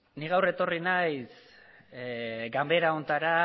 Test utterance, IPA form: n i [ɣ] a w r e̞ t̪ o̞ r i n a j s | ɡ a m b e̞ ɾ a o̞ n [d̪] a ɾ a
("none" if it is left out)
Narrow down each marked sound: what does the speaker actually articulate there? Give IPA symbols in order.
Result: ɣ, t̪

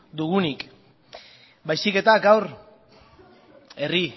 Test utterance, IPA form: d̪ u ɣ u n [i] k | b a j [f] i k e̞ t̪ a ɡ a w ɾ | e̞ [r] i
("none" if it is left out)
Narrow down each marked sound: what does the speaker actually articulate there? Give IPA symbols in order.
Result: i, s, r

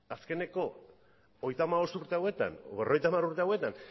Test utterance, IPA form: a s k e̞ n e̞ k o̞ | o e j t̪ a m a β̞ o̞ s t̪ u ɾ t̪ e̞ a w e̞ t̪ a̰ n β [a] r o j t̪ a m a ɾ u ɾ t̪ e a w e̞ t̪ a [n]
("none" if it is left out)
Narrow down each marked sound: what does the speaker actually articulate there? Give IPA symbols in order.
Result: e, n

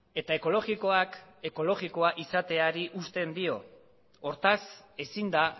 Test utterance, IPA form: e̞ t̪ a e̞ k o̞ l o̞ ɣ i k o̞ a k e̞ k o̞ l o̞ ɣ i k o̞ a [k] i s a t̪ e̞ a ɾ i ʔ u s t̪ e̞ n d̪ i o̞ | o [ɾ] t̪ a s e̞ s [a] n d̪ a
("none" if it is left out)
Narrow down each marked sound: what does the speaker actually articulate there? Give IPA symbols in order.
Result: ʔ, ɾ, i

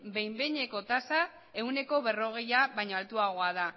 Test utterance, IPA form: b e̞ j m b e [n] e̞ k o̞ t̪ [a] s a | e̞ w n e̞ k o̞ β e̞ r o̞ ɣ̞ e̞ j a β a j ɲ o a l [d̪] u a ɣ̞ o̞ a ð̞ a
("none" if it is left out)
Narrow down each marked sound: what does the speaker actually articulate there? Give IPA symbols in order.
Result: ɲ, a, t̪

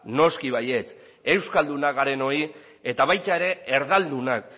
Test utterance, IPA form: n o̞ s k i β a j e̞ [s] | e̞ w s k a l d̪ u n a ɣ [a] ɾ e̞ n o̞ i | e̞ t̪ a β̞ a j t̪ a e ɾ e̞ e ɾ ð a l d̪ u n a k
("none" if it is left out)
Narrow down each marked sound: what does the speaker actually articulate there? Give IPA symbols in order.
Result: t͡s, a

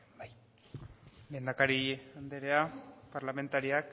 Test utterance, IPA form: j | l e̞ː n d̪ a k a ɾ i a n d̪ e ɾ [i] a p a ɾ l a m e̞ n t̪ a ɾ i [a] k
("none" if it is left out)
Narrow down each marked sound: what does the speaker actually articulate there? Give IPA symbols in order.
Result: e, a

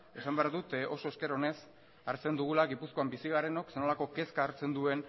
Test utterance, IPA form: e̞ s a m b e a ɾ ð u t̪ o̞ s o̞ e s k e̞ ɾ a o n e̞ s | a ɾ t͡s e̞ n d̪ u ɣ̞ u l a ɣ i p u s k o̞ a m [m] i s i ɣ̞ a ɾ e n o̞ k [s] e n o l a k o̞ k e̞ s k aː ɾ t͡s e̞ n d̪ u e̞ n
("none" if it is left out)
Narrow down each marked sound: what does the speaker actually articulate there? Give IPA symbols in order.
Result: b, s

